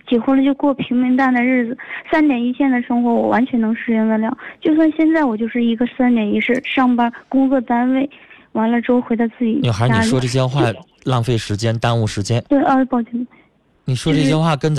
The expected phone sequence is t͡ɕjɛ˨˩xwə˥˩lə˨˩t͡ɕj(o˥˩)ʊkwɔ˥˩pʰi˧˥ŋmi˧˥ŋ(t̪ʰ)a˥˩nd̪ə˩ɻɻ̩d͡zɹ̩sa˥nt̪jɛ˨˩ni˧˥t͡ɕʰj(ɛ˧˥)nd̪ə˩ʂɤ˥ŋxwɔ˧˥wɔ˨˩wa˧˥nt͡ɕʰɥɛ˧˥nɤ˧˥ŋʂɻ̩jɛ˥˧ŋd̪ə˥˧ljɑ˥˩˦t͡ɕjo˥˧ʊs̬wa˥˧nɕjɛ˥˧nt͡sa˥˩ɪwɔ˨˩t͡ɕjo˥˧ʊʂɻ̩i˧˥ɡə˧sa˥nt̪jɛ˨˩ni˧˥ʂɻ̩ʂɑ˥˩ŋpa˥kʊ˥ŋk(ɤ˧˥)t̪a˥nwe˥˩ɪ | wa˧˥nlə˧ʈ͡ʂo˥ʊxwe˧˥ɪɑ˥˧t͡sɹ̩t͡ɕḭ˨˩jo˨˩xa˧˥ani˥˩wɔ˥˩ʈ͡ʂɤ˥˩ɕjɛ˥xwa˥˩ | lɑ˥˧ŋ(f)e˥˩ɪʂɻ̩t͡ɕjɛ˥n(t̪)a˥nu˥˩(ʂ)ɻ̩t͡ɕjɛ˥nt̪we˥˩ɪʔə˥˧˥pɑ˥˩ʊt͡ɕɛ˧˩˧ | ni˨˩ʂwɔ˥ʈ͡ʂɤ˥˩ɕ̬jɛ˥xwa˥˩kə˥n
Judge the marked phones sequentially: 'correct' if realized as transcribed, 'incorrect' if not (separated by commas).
incorrect, incorrect, incorrect, incorrect, correct, correct, correct